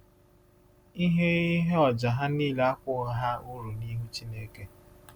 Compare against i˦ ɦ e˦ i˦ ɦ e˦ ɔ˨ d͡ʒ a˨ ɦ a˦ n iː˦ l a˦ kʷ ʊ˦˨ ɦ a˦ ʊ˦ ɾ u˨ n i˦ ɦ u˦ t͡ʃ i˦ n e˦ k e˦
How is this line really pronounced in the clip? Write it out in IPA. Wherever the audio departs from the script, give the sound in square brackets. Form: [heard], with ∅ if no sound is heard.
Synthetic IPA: i˦ ɦ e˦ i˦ ɦ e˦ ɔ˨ d͡ʒ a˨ ɦ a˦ n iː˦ l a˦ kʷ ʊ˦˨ ɦ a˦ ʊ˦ ɾ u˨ n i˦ ɦ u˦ t͡ʃ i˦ n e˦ k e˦